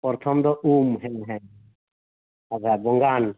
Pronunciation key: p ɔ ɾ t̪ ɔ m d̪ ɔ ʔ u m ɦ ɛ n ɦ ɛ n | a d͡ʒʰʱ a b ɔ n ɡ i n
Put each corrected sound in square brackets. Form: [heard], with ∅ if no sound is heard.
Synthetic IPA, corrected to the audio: p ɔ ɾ [t̪ʰ] ɔ m d̪ ɔ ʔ u m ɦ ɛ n ɦ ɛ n | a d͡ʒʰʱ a b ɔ [ŋ] ɡ [a] n